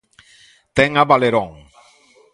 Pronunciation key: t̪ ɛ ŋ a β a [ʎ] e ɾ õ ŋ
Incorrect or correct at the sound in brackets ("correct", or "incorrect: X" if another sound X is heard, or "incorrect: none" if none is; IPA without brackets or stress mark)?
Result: incorrect: l